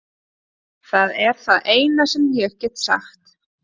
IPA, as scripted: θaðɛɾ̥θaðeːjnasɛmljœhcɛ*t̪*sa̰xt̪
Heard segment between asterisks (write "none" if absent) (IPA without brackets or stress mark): t̪